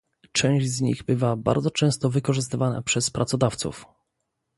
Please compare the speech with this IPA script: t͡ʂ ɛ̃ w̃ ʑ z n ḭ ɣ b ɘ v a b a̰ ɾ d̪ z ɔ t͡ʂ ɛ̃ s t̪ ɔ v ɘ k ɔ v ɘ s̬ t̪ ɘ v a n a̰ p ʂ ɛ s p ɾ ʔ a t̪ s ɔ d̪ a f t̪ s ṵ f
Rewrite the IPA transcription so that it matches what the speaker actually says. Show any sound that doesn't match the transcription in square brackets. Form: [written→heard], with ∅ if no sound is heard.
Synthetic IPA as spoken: t͡ʂ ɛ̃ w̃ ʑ z [n→ɲ] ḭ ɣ b ɘ v a b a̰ ɾ d̪ z ɔ t͡ʂ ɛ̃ s t̪ ɔ v ɘ k ɔ [v→ʐ] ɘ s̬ t̪ ɘ v a n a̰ p ʂ ɛ s p ɾ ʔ a t̪ s ɔ d̪ a f t̪ s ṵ f